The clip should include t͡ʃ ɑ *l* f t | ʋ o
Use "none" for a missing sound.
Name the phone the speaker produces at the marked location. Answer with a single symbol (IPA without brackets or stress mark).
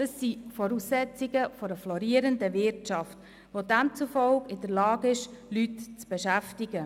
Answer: none